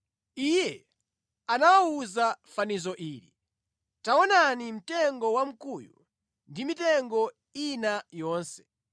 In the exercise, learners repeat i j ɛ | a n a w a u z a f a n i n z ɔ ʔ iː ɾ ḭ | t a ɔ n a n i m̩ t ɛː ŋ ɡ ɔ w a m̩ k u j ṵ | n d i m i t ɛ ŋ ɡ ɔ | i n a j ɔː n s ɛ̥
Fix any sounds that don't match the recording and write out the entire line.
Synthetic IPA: i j ɛ | a n a w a u z a f a n i z ɔ ʔ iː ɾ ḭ | t a ɔ n a n i m̩ t ɛ ŋ ɡ ɔ w a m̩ k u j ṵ | n d i m i t ɛ ŋ ɡ ɔ | i n a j ɔː n s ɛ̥